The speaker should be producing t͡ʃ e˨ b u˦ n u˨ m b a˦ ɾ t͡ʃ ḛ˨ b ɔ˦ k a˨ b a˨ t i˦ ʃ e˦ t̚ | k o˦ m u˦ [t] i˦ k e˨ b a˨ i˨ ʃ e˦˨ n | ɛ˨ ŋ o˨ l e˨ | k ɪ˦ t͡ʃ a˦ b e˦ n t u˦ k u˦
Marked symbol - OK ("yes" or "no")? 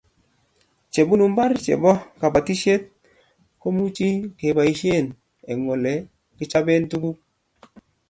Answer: no